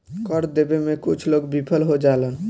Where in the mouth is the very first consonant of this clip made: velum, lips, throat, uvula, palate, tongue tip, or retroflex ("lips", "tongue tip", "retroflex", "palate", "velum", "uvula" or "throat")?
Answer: velum